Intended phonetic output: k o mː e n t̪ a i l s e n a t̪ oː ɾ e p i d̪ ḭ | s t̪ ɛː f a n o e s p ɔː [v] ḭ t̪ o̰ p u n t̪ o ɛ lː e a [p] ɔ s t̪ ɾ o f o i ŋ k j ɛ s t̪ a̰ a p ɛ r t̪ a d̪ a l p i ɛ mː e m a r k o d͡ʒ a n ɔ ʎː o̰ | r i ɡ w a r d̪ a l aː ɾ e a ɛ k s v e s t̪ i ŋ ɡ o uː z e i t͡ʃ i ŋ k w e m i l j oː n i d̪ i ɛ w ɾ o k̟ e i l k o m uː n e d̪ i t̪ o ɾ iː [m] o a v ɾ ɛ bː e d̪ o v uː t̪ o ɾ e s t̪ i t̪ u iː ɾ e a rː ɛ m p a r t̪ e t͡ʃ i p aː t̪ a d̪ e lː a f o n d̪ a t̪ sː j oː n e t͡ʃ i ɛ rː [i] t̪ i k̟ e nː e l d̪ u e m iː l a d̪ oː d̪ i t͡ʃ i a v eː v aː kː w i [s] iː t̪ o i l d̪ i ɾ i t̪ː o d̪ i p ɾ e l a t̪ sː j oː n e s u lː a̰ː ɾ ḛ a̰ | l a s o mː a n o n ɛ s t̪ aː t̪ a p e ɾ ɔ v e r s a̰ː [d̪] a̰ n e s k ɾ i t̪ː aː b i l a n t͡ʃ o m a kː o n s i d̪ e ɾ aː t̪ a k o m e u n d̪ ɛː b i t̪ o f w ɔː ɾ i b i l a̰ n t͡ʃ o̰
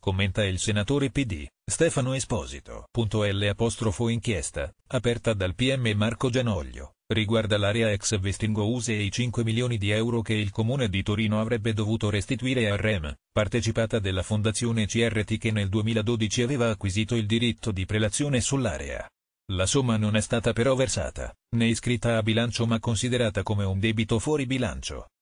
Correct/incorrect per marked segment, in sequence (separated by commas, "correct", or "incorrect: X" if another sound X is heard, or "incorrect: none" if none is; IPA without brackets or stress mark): incorrect: z, correct, incorrect: n, incorrect: e, incorrect: z, incorrect: t̪